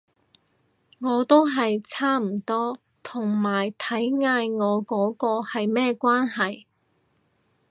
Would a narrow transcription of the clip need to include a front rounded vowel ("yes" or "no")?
no